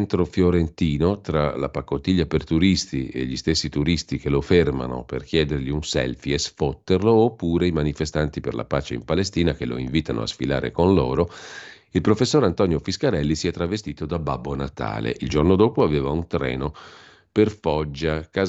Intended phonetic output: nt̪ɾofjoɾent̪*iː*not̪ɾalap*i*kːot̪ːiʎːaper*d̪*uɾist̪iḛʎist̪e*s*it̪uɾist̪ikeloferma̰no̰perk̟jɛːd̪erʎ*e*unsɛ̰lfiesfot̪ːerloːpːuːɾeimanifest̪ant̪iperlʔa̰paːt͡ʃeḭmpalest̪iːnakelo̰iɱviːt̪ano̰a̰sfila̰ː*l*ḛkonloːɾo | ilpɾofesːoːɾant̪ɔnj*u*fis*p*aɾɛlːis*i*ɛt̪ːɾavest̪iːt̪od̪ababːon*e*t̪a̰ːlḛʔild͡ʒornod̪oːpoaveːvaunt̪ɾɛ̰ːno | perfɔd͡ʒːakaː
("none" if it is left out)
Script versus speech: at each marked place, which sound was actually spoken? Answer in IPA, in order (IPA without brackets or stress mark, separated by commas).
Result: iː, a, t̪, sː, i, ɾ, o, k, i, a